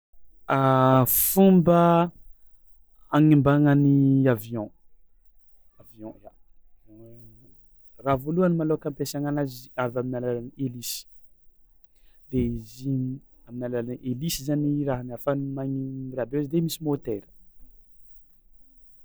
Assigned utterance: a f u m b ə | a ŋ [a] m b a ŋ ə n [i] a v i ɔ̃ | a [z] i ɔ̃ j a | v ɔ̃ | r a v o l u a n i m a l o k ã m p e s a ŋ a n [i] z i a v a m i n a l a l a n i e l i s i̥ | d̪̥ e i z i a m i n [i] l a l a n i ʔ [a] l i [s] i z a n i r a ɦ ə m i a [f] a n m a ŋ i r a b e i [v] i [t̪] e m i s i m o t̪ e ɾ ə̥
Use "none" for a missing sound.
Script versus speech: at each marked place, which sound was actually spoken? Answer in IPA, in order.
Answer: i, i, v, a, a, e, s, f, z, d̪

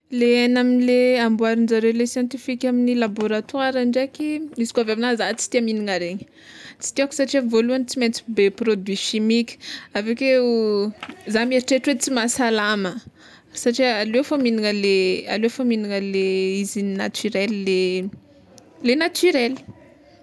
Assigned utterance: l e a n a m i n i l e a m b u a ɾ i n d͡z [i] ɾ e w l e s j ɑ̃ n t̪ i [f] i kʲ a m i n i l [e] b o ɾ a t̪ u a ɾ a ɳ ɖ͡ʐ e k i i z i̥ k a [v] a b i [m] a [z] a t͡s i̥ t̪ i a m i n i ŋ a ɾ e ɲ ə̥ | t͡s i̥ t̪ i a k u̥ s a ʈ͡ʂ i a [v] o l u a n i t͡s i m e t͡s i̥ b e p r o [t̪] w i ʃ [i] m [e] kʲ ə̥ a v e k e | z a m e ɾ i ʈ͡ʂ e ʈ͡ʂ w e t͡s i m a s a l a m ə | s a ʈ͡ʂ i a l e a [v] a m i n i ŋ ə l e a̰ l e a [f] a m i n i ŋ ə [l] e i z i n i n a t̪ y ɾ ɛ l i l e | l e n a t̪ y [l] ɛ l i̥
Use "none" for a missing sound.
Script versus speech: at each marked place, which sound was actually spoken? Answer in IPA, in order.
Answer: a, f, a, v, n, z, v, d̪, i, i, f, f, l, ɾ

